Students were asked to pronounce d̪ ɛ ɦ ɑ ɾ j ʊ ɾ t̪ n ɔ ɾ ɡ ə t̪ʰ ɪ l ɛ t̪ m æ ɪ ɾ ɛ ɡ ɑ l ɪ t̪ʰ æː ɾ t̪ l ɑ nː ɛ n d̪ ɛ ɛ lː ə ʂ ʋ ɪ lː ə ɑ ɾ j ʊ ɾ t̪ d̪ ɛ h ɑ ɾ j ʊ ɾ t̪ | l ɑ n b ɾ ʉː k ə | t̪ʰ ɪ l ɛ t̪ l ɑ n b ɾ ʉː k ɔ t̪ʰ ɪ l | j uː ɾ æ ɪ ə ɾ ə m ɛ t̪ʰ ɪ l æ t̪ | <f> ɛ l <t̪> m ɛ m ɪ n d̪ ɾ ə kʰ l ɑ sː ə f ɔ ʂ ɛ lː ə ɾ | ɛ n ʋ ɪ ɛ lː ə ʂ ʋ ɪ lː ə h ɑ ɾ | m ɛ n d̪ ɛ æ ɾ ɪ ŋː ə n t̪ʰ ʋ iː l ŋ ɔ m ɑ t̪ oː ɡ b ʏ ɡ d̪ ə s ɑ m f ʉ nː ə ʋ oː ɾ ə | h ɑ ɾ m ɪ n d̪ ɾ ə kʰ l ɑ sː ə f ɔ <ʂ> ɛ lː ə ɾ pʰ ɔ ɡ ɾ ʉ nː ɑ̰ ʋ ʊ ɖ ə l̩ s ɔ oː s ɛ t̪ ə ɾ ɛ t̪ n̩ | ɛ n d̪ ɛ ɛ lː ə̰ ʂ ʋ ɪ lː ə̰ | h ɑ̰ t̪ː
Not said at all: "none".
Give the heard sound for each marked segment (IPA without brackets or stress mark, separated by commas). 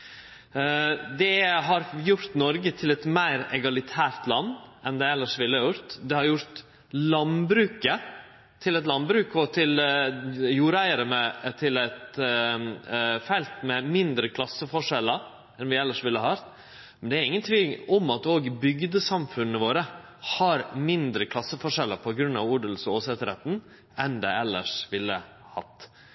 f, t̪, ʂ